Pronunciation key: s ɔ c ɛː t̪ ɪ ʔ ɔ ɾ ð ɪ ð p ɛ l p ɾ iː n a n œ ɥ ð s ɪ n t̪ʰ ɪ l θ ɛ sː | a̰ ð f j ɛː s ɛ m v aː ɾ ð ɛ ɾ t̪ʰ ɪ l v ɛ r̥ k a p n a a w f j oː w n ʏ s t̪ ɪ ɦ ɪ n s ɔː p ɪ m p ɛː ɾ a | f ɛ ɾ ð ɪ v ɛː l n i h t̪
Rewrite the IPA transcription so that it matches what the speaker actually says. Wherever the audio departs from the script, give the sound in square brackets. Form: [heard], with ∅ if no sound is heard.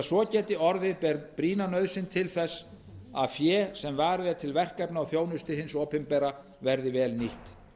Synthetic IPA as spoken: s ɔ c ɛː t̪ ɪ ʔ ɔ ɾ ð ɪ ð p ɛ [ɾ] p ɾ iː n a n œ ɥ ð s ɪ n t̪ʰ ɪ l θ ɛ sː | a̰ ð f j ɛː s ɛ m v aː ɾ ð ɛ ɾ t̪ʰ ɪ l v ɛ r̥ k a p n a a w [θ] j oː w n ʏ s t̪ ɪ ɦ ɪ n s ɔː p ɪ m p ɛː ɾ a | [v] ɛ ɾ ð ɪ v ɛː l n i h t̪